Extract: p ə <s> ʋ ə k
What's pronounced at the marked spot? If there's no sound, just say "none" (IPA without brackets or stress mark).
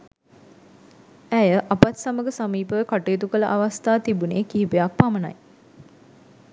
none